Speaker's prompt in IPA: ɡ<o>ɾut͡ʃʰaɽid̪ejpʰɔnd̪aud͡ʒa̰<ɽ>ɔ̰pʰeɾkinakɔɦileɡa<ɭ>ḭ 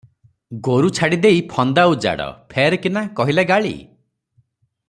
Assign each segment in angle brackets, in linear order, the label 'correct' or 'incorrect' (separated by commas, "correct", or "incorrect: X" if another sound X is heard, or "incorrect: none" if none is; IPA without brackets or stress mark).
correct, correct, correct